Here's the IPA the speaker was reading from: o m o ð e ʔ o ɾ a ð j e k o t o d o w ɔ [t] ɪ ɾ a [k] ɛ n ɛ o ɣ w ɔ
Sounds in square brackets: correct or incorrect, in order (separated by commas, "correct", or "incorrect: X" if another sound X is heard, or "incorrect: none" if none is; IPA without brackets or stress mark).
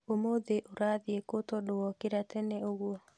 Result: incorrect: k, incorrect: t